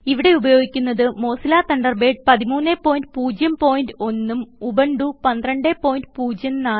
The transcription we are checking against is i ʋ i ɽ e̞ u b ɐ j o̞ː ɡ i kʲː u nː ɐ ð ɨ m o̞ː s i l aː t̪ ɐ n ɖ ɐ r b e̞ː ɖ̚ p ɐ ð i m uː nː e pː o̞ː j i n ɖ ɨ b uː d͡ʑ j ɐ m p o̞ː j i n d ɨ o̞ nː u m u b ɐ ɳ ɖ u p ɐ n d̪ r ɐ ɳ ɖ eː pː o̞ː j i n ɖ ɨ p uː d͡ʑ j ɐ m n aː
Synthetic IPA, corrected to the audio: i ʋ i ɽ e̞ u b ɐ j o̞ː ɡ i kʲː u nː ɐ ð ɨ m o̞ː s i l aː t̪ ɐ ɳ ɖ ɐ r b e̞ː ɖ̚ p ɐ ð i m uː nː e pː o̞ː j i n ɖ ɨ p uː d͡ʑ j ɐ m p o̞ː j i n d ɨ o̞ nː u m u b ɐ ɳ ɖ u p ɐ n d̪ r ɐ ɳ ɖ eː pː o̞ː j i n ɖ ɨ p uː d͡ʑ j ɐ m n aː